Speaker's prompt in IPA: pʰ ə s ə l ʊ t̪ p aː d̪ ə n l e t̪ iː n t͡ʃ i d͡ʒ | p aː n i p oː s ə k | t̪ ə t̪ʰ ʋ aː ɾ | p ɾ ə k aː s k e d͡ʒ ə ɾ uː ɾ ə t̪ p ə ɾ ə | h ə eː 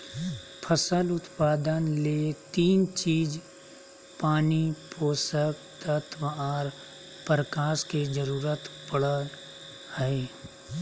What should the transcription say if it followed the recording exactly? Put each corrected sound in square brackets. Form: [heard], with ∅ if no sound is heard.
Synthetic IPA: pʰ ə s ə l ʊ t̪ p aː d̪ ə n l e t̪ iː n t͡ʃ [iː] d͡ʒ | p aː n i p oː s ə k | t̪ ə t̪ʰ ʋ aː ɾ | p ɾ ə k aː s k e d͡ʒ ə ɾ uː ɾ ə t̪ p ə [ɽ] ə | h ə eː